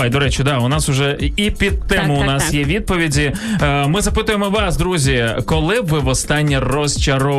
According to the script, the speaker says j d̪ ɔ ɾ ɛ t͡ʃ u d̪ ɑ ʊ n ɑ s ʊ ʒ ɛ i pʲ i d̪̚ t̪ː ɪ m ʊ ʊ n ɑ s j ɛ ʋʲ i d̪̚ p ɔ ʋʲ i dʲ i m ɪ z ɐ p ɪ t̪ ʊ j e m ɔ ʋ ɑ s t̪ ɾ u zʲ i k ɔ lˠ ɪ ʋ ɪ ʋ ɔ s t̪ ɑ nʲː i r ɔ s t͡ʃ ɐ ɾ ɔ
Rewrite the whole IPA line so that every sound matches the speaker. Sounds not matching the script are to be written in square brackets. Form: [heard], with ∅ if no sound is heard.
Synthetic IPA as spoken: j d̪ ɔ ɾ ɛ t͡ʃ [ʊ] d̪ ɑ ʊ n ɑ s ʊ ʒ ɛ i pʲ i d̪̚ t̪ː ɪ m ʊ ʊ n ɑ s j ɛ ʋʲ i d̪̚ p ɔ ʋʲ i dʲ i m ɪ z ɐ p ɪ t̪ ʊ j e m ɔ ʋ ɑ s [d̪] ɾ u zʲ i k ɔ lˠ ɪ ʋ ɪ ʋ ɔ s t̪ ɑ nʲː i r ɔ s t͡ʃ ɐ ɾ ɔ